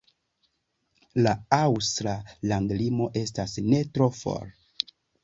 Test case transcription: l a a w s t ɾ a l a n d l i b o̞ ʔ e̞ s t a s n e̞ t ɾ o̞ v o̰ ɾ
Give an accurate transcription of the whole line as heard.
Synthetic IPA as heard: l a a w s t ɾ a l a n d l i m o̞ ʔ e̞ s t a s n e̞ t ɾ o̞ f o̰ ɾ